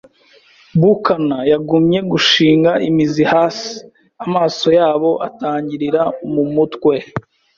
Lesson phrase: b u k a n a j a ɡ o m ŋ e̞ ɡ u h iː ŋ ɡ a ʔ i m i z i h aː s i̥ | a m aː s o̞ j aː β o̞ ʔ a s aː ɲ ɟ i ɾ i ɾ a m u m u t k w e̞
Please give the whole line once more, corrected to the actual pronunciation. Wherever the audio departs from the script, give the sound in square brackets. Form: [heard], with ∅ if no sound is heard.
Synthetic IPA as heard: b u k a n a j a ɡ [u] m [ɲ] e̞ ɡ u [ʃ] iː ŋ ɡ a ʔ i m i z i h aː s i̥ | a m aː s o̞ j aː β o̞ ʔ a [t] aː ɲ ɟ i ɾ i ɾ a m u m u t k w e̞